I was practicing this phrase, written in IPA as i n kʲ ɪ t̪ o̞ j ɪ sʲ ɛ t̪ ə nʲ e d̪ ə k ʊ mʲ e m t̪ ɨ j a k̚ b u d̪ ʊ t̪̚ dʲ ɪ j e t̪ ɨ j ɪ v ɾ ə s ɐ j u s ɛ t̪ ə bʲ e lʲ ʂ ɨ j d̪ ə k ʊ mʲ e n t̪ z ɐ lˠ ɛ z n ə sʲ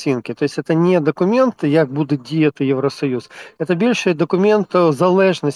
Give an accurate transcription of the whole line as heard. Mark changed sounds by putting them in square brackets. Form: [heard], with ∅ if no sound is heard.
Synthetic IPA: i n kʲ ɪ t̪ o̞ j ɪ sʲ ɛ t̪ ə nʲ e d̪ ə k ʊ mʲ e [n] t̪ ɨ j a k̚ b u d̪ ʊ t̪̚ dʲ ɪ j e t̪ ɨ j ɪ v ɾ ə s ɐ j u s ɛ t̪ ə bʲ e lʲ ʂ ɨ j d̪ ə k ʊ mʲ e n t̪ z ɐ lˠ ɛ [ʐ] n ə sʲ